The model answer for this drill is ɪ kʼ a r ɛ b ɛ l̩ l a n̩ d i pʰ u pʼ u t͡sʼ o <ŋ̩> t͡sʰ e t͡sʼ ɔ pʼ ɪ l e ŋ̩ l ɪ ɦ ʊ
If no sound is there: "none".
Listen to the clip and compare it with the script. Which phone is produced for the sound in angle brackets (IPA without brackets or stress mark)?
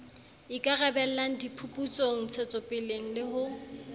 ŋ̩